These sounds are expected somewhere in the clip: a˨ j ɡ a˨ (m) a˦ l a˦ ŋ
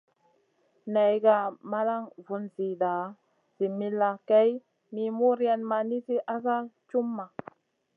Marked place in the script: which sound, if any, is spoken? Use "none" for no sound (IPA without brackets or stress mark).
m